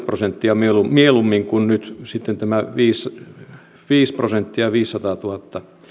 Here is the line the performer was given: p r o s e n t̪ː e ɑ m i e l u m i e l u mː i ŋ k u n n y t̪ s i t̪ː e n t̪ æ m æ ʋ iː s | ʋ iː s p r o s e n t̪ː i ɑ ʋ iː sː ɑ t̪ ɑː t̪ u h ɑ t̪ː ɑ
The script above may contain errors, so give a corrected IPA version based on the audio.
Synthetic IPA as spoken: p r o s e n t̪ː i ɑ m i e l u m i e l u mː i ŋ k u n n y t̪ s i t̪ː e n t̪ æ m æ ʋ iː s | ʋ iː s p r o s e n t̪ː i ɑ ʋ iː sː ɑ t̪ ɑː t̪ u h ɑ t̪ː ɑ